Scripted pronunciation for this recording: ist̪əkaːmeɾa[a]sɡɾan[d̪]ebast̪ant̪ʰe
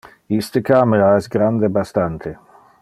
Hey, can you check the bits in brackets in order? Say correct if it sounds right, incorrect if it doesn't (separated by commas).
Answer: incorrect, correct